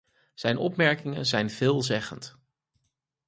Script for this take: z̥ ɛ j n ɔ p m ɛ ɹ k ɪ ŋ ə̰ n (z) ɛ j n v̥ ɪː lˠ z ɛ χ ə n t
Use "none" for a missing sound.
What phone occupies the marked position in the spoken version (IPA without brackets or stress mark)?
z